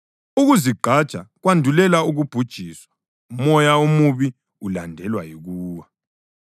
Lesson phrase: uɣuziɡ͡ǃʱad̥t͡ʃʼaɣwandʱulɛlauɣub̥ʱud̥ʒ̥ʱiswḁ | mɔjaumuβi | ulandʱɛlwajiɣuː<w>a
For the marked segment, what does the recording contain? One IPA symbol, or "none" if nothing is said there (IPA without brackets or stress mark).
w